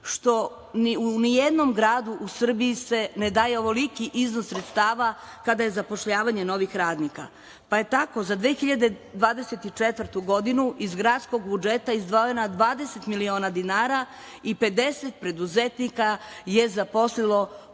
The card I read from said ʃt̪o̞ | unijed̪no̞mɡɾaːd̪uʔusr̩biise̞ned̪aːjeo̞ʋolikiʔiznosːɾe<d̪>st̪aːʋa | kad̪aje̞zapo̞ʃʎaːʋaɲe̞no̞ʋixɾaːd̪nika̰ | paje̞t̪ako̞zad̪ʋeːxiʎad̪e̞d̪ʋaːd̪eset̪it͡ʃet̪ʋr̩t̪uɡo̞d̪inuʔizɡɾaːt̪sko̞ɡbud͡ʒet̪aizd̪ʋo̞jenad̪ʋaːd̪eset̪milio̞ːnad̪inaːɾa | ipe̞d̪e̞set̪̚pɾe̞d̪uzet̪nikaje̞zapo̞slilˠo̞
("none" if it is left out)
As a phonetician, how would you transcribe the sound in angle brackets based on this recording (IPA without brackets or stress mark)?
t̪